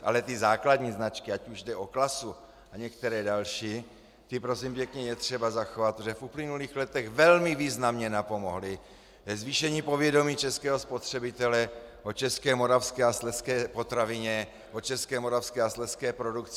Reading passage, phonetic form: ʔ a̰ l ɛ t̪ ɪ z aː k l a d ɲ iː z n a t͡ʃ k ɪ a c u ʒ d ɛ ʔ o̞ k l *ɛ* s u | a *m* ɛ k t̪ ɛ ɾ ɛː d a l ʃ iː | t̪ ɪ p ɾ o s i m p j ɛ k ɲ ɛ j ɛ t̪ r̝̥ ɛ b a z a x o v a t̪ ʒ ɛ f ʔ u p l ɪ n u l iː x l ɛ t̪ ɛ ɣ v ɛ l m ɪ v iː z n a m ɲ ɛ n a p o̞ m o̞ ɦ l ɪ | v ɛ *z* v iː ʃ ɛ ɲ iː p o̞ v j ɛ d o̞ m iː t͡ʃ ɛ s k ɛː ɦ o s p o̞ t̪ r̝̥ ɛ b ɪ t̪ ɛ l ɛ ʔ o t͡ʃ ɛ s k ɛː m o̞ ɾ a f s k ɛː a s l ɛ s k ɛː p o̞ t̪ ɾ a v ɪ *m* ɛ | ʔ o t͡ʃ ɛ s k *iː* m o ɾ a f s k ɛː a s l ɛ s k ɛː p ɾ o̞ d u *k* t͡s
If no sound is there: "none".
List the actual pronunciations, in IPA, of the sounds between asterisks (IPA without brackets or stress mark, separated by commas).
a, ɲ, z, ɲ, ɛː, k